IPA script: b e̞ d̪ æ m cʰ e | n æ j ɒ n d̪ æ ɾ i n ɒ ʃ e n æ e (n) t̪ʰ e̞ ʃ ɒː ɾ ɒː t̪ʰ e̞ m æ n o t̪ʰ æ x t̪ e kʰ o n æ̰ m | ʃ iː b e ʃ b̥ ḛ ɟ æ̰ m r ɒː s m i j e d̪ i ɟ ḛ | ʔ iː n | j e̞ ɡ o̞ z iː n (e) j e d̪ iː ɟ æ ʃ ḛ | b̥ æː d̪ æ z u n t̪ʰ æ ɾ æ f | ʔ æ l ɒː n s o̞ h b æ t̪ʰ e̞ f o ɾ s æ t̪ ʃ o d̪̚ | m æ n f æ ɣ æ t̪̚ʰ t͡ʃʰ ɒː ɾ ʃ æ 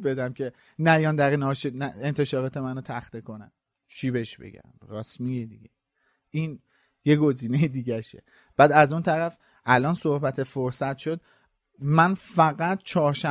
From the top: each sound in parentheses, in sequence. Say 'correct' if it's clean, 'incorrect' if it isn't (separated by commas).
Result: correct, correct